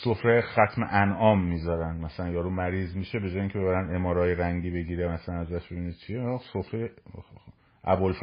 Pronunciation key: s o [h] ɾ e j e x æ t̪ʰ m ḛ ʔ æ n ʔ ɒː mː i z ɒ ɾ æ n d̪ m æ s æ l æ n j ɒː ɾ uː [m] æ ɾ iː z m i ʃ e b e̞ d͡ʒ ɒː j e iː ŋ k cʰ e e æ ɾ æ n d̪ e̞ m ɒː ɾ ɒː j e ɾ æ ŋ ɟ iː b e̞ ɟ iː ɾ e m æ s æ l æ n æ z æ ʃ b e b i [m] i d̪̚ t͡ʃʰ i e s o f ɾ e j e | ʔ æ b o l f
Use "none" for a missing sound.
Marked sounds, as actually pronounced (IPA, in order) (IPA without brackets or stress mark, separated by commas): f, m, n